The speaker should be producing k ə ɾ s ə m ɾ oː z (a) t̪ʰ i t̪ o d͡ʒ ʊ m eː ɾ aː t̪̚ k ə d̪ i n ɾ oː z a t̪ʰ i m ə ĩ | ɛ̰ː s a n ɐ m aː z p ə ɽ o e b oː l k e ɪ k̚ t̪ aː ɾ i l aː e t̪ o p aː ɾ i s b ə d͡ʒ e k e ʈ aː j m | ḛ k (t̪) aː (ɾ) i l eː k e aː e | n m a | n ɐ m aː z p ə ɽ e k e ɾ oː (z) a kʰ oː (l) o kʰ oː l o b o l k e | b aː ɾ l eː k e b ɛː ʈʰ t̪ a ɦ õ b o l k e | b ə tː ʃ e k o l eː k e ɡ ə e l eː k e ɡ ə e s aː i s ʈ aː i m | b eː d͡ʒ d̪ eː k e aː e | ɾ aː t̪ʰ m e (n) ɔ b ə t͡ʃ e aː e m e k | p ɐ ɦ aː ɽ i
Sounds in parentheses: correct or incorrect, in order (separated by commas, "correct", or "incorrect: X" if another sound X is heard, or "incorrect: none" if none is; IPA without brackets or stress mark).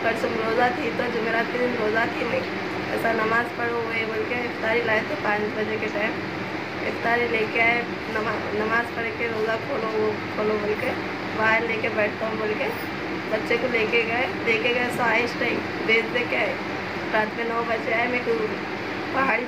correct, correct, correct, correct, correct, correct